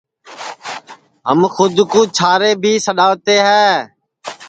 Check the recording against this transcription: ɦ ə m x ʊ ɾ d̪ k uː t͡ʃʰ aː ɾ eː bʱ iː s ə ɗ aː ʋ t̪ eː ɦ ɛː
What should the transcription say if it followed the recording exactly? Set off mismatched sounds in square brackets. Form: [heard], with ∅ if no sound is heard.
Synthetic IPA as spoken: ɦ ə m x ʊ [∅] d̪ k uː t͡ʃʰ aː ɾ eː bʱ iː s ə ɗ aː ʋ t̪ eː ɦ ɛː